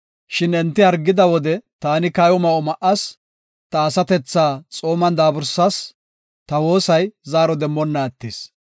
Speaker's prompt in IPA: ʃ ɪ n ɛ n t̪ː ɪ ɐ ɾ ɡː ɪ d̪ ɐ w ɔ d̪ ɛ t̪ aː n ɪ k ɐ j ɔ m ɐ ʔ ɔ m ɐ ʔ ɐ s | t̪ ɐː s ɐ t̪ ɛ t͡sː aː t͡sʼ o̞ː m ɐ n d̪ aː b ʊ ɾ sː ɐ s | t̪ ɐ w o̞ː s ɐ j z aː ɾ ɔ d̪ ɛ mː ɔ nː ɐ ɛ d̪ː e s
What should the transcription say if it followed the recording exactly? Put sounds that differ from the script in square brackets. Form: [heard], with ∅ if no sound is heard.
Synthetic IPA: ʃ ɪ n ɛ n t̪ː ɪ ɐ ɾ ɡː ɪ d̪ ɐ w ɔ d̪ ɛ t̪ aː n ɪ k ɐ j ɔ m ɐ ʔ ɔ m ɐ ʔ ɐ s | t̪ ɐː s ɐ t̪ ɛ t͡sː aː t͡sʼ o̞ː m ɐ n d̪ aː b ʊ ɾ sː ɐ s | t̪ ɐ w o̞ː s ɐ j z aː ɾ ɔ d̪ ɛ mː ɔ nː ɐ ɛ [t̪ː] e s

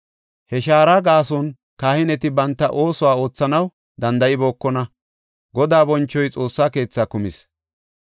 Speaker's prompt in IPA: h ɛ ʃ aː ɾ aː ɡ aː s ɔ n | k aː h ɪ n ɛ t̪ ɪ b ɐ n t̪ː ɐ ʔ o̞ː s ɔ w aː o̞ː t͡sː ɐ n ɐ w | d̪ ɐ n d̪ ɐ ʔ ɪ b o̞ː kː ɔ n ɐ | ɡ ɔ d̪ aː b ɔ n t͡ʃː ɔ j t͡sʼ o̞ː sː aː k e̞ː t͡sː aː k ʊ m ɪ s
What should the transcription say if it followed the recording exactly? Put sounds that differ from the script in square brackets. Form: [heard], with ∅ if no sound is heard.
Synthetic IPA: h ɛ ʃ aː ɾ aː ɡ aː s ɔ n | k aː h ɪ n ɛ t̪ ɪ b ɐ n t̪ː ɐ ʔ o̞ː s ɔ w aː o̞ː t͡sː ɐ n ɐ w | d̪ ɐ n d̪ ɐ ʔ ɪ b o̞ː kː ɔ n ɐ | ɡ ɔ d̪ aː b ɔ n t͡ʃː ɔ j t͡sʼ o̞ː sː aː k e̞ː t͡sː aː k ʊ m ɪ s

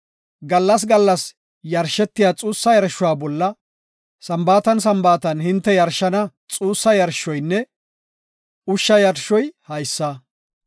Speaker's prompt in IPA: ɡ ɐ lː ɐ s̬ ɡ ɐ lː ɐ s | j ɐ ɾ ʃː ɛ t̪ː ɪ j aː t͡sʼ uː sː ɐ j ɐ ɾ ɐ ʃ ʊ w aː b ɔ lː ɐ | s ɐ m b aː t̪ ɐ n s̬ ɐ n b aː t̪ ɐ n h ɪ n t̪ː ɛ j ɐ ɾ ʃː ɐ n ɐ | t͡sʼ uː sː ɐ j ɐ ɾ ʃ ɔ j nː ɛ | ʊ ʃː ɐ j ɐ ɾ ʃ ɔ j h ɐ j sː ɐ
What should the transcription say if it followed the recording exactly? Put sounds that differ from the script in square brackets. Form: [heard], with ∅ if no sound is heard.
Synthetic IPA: ɡ ɐ lː ɐ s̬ ɡ ɐ lː ɐ s | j ɐ ɾ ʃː ɛ t̪ː ɪ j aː t͡sʼ uː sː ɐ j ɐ ɾ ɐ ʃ ʊ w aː b ɔ lː ɐ | s ɐ m b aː t̪ ɐ n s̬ ɐ [m] b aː t̪ ɐ n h ɪ n t̪ː ɛ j ɐ ɾ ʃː ɐ n ɐ | t͡sʼ uː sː ɐ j ɐ ɾ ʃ ɔ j nː ɛ | ʊ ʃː ɐ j ɐ ɾ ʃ ɔ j h ɐ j sː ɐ

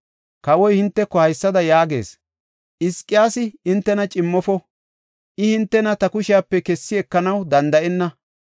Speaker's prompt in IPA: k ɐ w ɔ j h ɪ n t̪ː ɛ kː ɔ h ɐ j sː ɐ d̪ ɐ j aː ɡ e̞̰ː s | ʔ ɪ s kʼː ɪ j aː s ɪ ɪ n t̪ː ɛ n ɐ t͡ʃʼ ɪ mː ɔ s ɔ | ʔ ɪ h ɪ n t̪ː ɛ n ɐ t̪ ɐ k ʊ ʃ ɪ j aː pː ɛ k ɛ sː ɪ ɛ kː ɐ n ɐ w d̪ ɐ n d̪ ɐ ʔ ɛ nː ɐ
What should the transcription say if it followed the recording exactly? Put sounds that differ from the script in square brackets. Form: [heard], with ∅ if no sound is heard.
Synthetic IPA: k ɐ w ɔ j h ɪ n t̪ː ɛ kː ɔ h ɐ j sː ɐ d̪ ɐ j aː ɡ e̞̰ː s | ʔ ɪ s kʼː ɪ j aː s ɪ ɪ n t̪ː ɛ n ɐ t͡ʃʼ ɪ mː ɔ [f] ɔ | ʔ ɪ h ɪ n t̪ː ɛ n ɐ t̪ ɐ k ʊ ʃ ɪ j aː pː ɛ k ɛ sː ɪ ɛ kː ɐ n ɐ w d̪ ɐ n d̪ ɐ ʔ ɛ nː ɐ

